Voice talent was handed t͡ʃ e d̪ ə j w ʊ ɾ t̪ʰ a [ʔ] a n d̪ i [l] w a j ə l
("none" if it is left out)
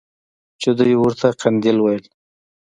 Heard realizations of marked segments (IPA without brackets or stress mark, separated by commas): q, l